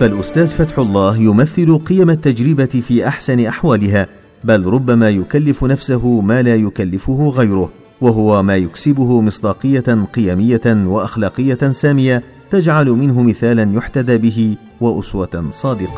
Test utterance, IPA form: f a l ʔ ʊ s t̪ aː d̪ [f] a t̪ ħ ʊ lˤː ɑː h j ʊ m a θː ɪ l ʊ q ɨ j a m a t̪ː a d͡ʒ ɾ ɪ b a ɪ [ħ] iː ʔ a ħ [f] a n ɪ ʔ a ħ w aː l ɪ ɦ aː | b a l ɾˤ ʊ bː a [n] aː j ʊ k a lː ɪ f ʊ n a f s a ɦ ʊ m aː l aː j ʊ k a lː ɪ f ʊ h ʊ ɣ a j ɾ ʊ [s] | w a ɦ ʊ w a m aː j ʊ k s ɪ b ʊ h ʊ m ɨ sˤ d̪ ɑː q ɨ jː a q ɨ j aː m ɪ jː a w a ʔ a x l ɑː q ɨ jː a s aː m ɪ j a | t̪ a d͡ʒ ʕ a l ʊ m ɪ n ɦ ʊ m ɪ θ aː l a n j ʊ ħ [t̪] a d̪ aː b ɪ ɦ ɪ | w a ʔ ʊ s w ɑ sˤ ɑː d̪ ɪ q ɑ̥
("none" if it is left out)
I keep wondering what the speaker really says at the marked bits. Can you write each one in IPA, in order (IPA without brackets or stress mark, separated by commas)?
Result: f, f, s, m, h, t̪